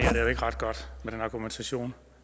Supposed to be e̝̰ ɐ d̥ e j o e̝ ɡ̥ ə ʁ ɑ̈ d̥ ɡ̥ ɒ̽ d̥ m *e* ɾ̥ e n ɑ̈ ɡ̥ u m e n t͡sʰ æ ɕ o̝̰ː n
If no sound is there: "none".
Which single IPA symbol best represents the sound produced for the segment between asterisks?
e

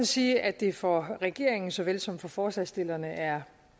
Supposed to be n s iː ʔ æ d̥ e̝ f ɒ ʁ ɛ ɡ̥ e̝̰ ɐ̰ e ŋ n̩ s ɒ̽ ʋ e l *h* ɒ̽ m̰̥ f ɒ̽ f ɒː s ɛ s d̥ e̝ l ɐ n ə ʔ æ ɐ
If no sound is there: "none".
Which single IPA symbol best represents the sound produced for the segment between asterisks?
s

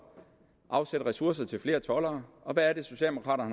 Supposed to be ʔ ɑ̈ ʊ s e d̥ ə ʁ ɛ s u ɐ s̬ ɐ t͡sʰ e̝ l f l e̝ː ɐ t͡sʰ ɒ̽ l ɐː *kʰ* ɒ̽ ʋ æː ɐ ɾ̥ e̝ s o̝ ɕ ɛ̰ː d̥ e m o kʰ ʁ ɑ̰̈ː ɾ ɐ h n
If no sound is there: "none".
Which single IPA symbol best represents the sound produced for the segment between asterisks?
none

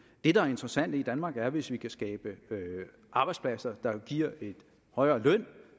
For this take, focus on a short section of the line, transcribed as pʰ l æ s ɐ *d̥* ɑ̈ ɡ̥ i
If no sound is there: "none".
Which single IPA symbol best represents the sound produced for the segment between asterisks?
d̥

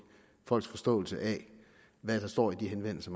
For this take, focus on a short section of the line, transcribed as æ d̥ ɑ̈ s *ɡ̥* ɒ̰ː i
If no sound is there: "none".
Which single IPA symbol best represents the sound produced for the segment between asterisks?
d̥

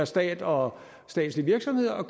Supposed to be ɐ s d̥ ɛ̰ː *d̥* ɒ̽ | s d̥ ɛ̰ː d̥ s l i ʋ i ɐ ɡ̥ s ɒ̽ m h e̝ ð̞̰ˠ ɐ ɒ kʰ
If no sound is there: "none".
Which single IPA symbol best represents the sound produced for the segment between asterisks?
d̥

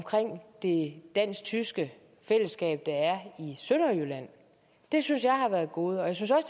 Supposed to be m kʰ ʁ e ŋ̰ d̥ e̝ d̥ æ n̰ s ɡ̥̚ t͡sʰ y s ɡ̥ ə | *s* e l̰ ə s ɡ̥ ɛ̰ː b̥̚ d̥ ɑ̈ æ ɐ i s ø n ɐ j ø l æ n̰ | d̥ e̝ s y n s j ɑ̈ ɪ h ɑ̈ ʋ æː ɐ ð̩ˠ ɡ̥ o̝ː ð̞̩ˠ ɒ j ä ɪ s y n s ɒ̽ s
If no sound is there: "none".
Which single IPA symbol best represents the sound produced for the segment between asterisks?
f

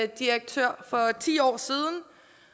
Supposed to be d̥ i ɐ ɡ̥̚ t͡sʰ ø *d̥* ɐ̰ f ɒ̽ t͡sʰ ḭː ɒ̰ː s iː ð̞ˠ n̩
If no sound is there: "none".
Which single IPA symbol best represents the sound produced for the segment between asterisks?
none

